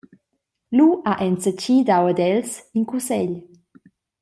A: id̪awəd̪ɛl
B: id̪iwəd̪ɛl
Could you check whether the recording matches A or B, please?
A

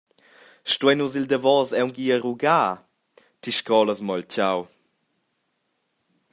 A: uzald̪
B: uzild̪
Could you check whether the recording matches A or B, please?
B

